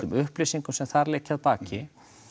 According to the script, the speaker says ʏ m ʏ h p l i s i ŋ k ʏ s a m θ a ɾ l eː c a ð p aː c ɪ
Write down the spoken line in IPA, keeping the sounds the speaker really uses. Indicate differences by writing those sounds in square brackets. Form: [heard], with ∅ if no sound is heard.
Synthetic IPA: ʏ m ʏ h p l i s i ŋ k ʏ s [ɛ] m θ a ɾ l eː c a ð p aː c ɪ